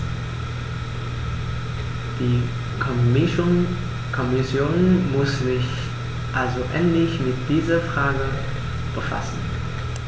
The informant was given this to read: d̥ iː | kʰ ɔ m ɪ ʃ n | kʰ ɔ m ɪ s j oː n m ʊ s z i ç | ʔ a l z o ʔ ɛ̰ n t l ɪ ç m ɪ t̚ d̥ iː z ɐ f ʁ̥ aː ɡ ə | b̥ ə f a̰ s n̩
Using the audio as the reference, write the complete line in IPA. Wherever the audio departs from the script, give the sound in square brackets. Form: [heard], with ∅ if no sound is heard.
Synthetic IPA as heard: d̥ iː | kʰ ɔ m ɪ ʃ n | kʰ ɔ m ɪ s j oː n m ʊ s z [ɪ] ç | ʔ a l z o ʔ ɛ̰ n t l ɪ ç m ɪ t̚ d̥ iː z ɐ f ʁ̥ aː ɡ ə | b̥ ə f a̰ s n̩